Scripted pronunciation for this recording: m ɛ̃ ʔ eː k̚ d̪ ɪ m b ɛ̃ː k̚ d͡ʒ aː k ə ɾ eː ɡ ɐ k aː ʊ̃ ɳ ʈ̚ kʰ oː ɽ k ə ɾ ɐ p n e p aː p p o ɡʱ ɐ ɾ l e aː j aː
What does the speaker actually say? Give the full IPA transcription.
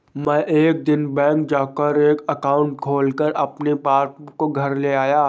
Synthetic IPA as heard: m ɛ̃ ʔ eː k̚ d̪ ɪ n b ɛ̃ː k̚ d͡ʒ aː k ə ɾ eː k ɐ k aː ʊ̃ ɳ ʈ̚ kʰ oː l k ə ɾ ɐ p n e p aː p k o ɡʱ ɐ ɾ l e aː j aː